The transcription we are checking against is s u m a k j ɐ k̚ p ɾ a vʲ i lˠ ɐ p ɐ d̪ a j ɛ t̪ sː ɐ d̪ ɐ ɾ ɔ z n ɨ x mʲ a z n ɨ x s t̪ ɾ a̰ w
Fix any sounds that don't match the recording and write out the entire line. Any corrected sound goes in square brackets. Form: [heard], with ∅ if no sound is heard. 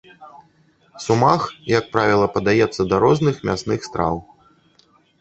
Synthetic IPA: s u m a [x] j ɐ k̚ p ɾ a vʲ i lˠ ɐ p ɐ d̪ a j ɛ t̪ sː ɐ d̪ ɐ ɾ ɔ z n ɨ x mʲ a [s] n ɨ x s t̪ ɾ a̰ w